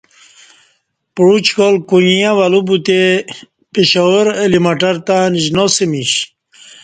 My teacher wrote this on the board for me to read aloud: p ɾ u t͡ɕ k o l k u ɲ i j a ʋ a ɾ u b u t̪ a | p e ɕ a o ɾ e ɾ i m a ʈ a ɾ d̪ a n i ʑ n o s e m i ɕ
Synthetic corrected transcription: p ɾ u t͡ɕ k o l k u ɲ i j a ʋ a l u b u t̪ e | p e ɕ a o ɾ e l i m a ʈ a ɾ t̪ a n i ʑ n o s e m i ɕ